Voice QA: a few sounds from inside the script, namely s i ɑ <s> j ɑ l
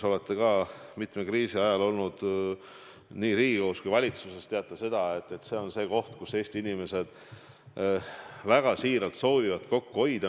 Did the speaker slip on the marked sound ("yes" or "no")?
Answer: yes